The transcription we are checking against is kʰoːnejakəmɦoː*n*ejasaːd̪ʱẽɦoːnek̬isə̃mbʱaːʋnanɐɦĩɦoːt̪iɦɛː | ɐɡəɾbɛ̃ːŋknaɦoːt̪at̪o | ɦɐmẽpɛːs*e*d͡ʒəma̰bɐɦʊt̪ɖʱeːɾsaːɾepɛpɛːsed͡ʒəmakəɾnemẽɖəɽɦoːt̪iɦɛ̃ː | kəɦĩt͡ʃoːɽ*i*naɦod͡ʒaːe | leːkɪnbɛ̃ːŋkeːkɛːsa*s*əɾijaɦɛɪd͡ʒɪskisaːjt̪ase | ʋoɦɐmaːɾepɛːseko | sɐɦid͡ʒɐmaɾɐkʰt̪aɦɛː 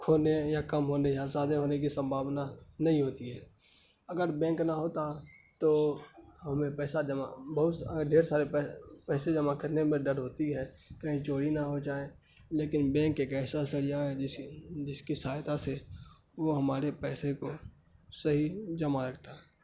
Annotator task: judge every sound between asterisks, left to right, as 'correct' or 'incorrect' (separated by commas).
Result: correct, incorrect, correct, correct